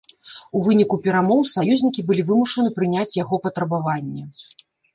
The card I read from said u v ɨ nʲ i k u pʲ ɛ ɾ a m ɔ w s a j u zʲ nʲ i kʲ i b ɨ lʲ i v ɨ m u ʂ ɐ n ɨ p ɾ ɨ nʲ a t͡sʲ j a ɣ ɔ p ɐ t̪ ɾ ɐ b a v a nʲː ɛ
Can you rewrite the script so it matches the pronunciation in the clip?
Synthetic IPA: u v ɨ nʲ i k u pʲ ɛ ɾ a m ɔ w s a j u zʲ nʲ i kʲ i b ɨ lʲ i v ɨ m u ʂ ɐ n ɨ p ɾ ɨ nʲ a t͡sʲ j a ɣ ɔ p ɐ t̪ ɾ ɐ b a v a nʲː ɛ

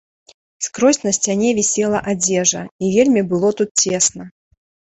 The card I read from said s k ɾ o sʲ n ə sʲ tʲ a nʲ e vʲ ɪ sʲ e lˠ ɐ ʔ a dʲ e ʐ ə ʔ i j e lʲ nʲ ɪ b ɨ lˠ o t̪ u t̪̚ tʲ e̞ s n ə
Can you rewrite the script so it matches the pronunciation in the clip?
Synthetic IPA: s k ɾ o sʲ n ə sʲ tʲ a nʲ e vʲ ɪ sʲ e lˠ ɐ ʔ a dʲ e ʐ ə i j e lʲ mʲ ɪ b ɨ lˠ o t̪ u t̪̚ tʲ e̞ s n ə

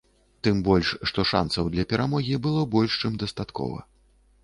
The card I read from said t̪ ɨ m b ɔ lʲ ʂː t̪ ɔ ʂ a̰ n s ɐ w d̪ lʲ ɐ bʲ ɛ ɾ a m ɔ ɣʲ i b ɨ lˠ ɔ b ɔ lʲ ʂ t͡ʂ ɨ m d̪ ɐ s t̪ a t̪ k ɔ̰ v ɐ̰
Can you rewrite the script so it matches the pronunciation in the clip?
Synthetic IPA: t̪ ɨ m b ɔ lʲ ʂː t̪ ɔ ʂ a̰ n s ɐ w d̪ lʲ ɐ pʲ ɛ ɾ a m ɔ ɣʲ i b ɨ lˠ ɔ b ɔ lʲ ʂ t͡ʂ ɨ m d̪ ɐ s t̪ a t̪ k ɔ̰ v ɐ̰

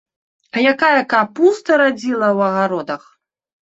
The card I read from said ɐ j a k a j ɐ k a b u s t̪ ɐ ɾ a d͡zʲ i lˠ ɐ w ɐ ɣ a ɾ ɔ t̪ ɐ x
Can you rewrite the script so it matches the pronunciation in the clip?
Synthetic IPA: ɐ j a k a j ɐ k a p u s t̪ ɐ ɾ a d͡zʲ i lˠ ɐ w ɐ ɣ a ɾ ɔ d̪ ɐ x

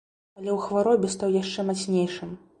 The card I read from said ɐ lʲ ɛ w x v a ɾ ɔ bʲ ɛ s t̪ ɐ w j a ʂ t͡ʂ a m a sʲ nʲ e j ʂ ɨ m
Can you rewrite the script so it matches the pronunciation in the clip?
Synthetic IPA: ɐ lʲ ɛ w x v a ɾ ɔ bʲ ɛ s t̪ a w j a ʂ t͡ʂ ɛ m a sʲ nʲ e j ʂ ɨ m

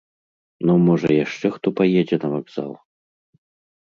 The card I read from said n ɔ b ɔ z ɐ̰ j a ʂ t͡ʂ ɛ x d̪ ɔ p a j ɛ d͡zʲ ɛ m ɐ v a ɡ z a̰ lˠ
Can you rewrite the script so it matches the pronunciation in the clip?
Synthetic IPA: n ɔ m ɔ ʐ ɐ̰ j a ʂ t͡ʂ ɛ x t̪ ɔ p a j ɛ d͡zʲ ɛ n ɐ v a ɡ z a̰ lˠ

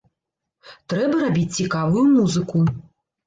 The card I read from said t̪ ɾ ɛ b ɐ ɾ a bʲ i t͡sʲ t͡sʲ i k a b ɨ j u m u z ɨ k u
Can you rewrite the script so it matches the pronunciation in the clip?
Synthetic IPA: t̪ ɾ ɛ b ɐ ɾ a bʲ i t͡sʲ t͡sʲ i k a v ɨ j u m u z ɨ k u

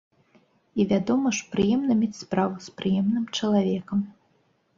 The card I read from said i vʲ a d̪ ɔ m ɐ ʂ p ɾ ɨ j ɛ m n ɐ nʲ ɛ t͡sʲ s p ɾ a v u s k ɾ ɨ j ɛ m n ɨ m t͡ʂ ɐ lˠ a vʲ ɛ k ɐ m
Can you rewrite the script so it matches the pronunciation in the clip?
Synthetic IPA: i vʲ a d̪ ɔ m ɐ ʂ p ɾ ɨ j ɛ m n ɐ mʲ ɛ t͡sʲ s p ɾ a v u s p ɾ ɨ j ɛ m n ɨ m t͡ʂ ɐ lˠ a vʲ ɛ k ɐ m

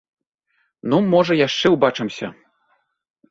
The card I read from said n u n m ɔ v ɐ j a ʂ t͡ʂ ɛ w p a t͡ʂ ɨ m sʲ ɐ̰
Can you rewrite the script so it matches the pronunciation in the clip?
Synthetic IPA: n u m ɔ ʐ ɐ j a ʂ t͡ʂ ɛ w b a t͡ʂ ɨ m sʲ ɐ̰

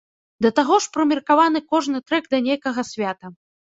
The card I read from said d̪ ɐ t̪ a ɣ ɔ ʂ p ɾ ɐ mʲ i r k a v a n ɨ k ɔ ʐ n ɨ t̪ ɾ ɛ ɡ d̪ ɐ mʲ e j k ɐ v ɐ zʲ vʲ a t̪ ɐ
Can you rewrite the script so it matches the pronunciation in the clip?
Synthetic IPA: d̪ ɐ t̪ a ɣ ɔ ʂ p ɾ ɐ mʲ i r k a v a n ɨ k ɔ ʐ n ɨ t̪ ɾ ɛ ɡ d̪ ɐ nʲ e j k ɐ ɣ ɐ sʲ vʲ a t̪ ɐ

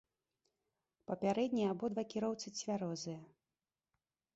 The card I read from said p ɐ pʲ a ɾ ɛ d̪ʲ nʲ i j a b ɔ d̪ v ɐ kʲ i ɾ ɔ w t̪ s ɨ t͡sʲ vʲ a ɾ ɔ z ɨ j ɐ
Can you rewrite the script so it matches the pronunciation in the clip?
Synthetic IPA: p ɐ pʲ a ɾ ɛ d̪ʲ nʲ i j a b ɔ d̪ v a kʲ i ɾ ɔ w t̪ s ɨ t͡sʲ vʲ a ɾ ɔ z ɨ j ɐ

